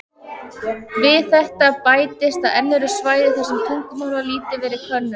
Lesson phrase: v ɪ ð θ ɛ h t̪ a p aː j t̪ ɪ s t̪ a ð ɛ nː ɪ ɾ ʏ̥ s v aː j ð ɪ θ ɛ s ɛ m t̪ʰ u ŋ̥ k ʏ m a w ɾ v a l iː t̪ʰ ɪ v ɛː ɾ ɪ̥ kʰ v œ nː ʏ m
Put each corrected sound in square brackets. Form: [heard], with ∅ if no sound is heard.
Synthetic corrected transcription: v ɪ ð θ ɛ h t̪ a p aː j t̪ ɪ s t̪ a ð ɛ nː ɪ ɾ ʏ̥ s v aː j ð ɪ θ ɛ s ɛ m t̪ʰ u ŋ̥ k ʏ m a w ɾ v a l iː [t̪] ɪ v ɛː ɾ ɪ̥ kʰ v œ nː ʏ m